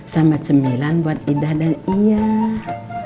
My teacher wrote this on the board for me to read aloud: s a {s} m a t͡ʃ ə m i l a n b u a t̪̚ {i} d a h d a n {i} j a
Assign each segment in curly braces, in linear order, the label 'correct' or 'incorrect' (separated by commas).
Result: incorrect, correct, correct